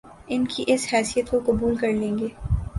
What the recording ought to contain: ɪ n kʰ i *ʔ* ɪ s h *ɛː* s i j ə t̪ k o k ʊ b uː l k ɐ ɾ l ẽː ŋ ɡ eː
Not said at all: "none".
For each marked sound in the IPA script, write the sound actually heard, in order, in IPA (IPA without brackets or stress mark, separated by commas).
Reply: ʔ, ɛː